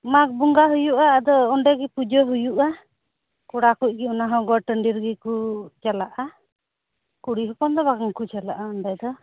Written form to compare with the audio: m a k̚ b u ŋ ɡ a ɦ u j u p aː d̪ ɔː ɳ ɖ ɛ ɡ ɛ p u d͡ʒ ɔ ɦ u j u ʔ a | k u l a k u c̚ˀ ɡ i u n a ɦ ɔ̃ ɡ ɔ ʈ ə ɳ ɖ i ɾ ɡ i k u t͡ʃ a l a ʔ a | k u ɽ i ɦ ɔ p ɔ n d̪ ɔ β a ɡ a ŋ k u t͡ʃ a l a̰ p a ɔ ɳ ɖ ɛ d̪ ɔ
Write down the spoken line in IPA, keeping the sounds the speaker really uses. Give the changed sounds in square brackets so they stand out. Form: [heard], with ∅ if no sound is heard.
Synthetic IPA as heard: m a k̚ b u ŋ ɡ a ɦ u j u [ʔ] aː d̪ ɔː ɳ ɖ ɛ ɡ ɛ p u d͡ʒ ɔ ɦ u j u ʔ a | k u [ɽ] a k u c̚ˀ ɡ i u n a ɦ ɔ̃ ɡ ɔ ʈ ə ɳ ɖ i ɾ ɡ i k u t͡ʃ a l a ʔ a | k u ɽ i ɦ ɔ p ɔ n d̪ ɔ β a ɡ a ŋ k u t͡ʃ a l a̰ [ʔ] a ɔ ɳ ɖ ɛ d̪ ɔ